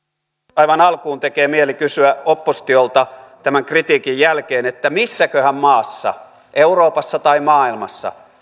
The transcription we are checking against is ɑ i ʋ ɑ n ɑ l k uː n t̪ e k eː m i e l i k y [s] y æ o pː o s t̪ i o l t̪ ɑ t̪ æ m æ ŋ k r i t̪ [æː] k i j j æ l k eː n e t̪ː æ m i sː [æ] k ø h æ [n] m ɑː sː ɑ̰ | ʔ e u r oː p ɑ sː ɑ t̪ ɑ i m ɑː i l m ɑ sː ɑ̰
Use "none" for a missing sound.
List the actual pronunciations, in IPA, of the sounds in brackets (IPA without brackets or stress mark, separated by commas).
s, iː, æ, m